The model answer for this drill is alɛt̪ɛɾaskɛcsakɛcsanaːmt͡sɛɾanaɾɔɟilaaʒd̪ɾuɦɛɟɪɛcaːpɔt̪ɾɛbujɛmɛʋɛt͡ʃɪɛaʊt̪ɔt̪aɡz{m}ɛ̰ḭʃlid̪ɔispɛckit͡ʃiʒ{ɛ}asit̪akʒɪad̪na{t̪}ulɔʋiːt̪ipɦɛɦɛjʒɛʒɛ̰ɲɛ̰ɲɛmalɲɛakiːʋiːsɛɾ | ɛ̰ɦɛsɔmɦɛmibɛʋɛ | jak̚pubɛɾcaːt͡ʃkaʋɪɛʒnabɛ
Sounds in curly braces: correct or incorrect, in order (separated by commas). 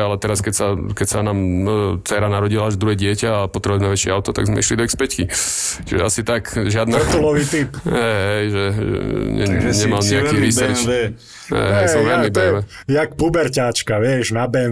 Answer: correct, correct, correct